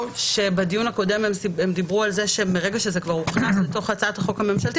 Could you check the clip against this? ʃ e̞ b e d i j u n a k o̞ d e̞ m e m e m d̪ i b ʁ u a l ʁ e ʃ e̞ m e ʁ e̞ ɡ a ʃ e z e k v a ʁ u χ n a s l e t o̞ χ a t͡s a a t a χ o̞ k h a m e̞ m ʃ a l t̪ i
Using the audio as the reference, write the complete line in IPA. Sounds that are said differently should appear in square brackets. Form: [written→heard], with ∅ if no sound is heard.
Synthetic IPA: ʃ e̞ b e d i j u n a k o̞ d e̞ m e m e m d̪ i b ʁ u a l [ʁ→z] e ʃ e̞ m e ʁ e̞ ɡ a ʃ e z e k v a ʁ u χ n a s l e t o̞ χ a t͡s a a t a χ o̞ k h a m e̞ m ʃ a l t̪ i